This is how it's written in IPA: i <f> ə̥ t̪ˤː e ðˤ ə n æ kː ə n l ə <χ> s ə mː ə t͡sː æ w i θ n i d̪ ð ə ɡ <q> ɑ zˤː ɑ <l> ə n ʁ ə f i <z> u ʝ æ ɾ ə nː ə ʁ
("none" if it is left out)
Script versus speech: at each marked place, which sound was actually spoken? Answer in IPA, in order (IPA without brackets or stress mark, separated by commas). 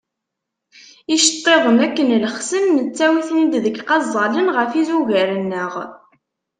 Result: ʃ, χ, q, l, z